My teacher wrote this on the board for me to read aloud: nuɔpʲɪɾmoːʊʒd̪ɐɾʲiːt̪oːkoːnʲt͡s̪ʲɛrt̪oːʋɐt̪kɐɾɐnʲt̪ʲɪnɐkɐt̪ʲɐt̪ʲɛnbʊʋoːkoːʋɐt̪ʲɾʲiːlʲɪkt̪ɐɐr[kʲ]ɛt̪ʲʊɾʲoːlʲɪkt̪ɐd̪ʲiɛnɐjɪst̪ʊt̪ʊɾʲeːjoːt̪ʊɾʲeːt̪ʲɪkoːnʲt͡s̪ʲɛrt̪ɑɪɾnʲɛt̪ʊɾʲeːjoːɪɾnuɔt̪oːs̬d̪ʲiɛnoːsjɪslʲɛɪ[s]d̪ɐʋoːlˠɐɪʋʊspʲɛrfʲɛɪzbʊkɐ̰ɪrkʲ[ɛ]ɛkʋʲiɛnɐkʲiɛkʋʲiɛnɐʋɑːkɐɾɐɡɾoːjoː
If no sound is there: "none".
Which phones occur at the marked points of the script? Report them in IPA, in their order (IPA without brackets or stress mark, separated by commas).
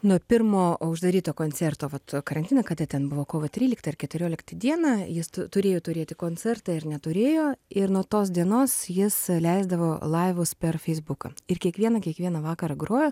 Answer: kʲ, z, i